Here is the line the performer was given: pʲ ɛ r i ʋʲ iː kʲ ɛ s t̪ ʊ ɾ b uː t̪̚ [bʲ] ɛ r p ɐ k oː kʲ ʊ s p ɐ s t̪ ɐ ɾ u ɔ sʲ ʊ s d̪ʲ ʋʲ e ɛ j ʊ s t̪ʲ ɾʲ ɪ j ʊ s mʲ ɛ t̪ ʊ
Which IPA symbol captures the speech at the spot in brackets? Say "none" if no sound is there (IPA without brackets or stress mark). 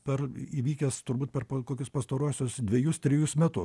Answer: pʲ